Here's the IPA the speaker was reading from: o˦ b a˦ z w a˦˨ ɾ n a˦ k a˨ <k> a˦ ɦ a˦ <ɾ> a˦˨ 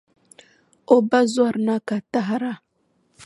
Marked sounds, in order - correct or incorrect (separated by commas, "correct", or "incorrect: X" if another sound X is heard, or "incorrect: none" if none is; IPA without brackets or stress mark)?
incorrect: t, correct